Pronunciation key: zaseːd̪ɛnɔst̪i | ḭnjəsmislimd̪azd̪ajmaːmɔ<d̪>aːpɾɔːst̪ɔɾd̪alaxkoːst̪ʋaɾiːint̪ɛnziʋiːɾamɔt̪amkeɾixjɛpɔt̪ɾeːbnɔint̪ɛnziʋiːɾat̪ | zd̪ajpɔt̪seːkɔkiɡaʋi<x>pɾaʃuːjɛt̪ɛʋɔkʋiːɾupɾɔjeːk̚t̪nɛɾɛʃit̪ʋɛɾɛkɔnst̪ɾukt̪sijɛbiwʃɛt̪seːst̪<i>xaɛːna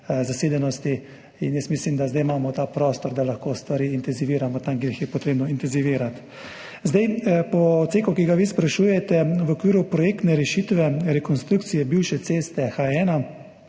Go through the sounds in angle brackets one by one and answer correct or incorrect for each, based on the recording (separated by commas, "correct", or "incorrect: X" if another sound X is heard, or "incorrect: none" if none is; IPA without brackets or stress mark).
incorrect: t̪, incorrect: s, incorrect: ɛ